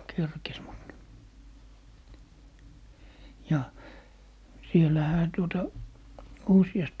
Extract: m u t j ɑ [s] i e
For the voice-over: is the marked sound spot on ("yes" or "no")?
yes